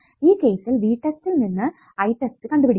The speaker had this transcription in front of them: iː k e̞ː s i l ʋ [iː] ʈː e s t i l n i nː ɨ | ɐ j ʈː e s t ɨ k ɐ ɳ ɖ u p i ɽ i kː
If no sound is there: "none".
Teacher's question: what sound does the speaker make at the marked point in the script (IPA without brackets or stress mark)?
iː